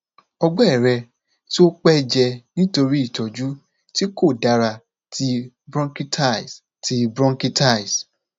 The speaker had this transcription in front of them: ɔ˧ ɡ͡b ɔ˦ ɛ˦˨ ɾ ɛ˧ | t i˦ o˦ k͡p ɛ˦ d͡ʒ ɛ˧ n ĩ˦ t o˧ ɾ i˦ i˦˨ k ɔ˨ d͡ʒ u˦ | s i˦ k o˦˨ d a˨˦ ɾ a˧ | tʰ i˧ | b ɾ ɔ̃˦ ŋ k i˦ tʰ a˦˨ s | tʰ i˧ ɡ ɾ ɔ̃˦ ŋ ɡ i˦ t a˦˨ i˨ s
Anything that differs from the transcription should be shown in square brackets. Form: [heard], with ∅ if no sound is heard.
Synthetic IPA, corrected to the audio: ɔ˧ ɡ͡b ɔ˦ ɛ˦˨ ɾ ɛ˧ | t i˦ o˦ k͡p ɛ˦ d͡ʒ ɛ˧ n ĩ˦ t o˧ ɾ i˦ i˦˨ [t] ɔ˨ d͡ʒ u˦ | [t] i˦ k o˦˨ d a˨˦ ɾ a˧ | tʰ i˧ | b ɾ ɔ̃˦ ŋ k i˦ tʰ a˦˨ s | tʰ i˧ [b] ɾ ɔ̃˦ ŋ [k] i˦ t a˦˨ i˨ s